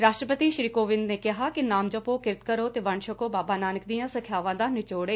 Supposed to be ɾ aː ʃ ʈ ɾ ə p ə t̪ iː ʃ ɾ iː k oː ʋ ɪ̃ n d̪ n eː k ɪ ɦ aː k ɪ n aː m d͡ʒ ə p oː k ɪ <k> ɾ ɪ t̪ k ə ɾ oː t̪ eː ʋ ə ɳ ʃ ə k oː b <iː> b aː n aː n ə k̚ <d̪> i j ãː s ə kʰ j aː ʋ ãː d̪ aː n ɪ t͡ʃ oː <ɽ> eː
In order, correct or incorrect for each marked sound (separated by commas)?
incorrect, incorrect, correct, correct